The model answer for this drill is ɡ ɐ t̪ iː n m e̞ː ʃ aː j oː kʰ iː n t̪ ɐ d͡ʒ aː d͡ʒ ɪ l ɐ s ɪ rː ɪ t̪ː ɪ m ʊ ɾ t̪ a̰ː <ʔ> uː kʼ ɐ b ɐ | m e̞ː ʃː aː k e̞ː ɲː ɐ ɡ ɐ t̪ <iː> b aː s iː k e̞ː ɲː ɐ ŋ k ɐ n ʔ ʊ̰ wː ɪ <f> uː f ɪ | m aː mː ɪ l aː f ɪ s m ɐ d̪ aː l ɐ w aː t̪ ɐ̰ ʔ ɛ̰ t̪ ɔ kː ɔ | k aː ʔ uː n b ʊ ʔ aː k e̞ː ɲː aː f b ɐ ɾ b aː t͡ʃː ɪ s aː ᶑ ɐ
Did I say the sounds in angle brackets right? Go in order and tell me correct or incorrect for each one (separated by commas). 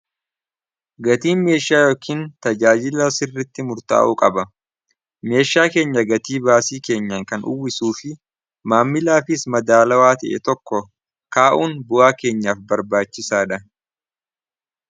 correct, correct, incorrect